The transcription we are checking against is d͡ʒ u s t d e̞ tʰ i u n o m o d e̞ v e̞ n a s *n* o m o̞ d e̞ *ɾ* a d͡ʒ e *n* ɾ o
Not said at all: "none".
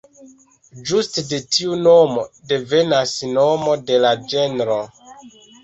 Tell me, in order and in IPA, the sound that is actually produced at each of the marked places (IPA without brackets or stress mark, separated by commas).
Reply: n, l, n